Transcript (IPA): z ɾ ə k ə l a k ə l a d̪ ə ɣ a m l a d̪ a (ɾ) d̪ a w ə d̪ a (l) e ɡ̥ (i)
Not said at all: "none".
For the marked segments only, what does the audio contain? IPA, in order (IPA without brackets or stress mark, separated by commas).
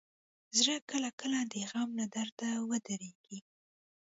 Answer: ɾ, ɾ, i